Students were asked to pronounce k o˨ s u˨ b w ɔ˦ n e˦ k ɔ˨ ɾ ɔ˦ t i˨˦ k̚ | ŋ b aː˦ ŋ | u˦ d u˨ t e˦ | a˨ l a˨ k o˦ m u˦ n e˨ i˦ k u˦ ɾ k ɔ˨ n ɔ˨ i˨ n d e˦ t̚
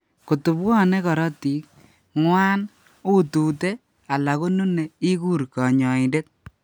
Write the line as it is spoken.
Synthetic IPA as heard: k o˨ t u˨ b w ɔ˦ n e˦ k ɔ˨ ɾ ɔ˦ t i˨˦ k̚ | ŋ w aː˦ n | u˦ t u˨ t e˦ | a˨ l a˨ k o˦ n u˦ n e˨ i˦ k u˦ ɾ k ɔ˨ ɲ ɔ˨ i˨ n d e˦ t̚

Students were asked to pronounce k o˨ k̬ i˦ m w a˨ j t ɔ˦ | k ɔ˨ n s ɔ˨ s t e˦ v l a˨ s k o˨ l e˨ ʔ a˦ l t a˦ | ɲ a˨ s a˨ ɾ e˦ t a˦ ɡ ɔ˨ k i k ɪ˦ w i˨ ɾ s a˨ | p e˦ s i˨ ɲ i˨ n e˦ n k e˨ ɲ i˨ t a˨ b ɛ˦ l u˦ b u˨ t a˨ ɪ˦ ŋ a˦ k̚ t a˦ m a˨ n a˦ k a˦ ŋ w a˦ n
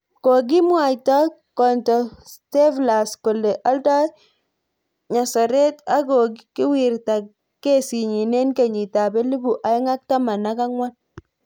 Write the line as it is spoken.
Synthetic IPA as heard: k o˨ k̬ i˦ m w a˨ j t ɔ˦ | k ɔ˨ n t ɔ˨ s t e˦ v l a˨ s k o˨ l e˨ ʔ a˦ l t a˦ | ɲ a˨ s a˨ ɾ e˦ t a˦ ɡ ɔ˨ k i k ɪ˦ w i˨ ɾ t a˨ | k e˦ s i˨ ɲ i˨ n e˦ n k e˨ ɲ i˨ t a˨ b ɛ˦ l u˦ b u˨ ʔ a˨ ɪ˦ ŋ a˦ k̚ t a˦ m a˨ n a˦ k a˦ ŋ w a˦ n

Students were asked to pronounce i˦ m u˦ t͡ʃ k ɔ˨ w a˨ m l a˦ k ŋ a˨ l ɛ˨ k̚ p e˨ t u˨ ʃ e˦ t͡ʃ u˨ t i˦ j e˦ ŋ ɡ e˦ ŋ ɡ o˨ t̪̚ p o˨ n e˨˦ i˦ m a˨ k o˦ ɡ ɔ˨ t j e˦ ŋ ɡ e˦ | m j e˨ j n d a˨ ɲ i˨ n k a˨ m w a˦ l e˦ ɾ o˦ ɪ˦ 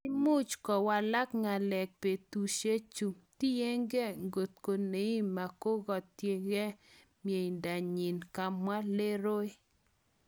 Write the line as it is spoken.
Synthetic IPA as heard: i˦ m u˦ t͡ʃ k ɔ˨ w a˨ l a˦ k ŋ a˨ l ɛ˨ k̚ p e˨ t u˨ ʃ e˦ t͡ʃ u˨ t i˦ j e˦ ŋ ɡ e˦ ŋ ɡ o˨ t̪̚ k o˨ n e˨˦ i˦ m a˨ k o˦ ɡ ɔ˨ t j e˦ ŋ ɡ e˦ | m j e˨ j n d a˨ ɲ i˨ n k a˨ m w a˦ l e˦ ɾ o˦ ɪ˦

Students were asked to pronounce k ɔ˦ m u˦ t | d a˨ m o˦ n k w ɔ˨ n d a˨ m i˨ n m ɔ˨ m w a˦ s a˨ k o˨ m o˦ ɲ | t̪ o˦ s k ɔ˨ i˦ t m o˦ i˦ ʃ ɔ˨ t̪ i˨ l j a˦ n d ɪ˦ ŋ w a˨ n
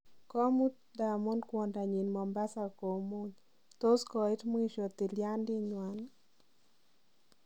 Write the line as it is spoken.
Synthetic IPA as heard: k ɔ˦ m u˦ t | d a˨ m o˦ n k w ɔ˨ n d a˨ ɲ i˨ n m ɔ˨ m b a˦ s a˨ k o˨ m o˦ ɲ | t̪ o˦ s k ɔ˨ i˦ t m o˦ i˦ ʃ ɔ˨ t̪ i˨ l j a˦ n d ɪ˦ ɲ w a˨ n

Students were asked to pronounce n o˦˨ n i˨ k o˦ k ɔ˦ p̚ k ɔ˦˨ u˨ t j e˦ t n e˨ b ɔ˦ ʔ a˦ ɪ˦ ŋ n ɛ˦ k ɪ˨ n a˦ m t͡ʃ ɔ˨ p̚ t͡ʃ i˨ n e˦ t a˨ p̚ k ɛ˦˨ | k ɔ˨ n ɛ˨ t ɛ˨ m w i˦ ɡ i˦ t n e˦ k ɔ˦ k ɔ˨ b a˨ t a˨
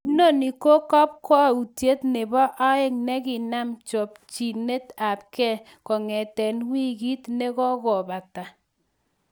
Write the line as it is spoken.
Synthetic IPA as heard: n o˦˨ n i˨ k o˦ k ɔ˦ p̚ k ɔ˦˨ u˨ t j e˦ t n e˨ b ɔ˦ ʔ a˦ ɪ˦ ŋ n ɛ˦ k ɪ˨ n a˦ m t͡ʃ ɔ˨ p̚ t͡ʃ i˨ n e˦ t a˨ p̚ k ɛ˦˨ | k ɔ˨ ŋ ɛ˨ t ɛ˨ n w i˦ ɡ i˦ t n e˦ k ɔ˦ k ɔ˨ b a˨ t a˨

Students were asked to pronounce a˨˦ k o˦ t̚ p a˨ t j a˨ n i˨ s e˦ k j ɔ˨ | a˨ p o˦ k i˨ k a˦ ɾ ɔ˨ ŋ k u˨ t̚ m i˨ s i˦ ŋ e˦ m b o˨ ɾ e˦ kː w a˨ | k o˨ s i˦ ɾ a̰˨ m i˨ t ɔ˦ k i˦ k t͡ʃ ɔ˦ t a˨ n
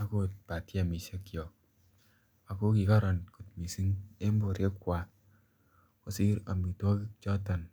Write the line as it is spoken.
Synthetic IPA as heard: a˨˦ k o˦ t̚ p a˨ t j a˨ m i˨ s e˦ k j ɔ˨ | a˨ k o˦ k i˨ k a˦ ɾ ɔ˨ n k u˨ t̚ m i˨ s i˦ ŋ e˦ m b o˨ ɾ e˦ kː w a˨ | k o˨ s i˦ ɾ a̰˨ m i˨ t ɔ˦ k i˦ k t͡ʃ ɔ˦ t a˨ n

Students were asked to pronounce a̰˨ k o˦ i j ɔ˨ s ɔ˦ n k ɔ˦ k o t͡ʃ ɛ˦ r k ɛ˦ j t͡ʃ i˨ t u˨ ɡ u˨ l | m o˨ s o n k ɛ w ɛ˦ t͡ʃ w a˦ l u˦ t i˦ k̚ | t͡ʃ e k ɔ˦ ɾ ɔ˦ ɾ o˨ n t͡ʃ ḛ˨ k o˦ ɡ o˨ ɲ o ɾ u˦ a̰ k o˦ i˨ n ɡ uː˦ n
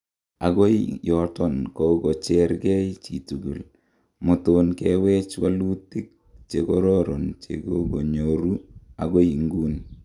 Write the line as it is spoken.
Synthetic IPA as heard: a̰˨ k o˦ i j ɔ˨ t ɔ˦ n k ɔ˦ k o t͡ʃ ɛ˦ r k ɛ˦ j t͡ʃ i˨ t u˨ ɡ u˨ l | m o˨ t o n k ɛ w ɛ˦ t͡ʃ w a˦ l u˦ t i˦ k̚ | t͡ʃ e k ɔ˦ ɾ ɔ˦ ɾ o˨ n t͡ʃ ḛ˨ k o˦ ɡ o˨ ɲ o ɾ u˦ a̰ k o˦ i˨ ŋ ɡ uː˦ n

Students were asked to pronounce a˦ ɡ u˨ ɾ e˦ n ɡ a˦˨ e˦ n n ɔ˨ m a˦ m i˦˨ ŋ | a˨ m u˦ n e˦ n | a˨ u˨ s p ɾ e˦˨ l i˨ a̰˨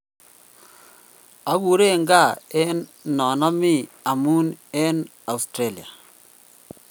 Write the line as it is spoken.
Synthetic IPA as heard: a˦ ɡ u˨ ɾ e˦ ŋ ɡ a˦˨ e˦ n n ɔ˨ n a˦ m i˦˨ | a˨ m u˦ n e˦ n | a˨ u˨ s t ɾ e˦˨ l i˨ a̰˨

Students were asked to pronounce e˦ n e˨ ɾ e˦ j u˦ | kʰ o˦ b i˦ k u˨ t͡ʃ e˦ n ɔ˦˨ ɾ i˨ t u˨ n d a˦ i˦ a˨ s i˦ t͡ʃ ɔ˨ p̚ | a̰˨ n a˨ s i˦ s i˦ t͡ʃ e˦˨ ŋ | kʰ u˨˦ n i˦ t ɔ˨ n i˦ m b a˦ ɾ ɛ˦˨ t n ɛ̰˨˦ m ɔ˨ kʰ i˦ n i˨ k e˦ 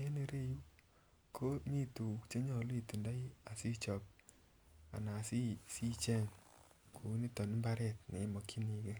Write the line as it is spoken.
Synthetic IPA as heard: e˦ n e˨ ɾ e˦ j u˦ | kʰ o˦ m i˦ t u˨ t͡ʃ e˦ ɲ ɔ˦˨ l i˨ t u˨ n d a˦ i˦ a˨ s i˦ t͡ʃ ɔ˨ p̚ | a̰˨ n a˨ s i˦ s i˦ t͡ʃ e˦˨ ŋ | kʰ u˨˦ n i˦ t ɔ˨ n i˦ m b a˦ ɾ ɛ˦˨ t n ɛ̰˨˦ m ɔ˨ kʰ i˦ n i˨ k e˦

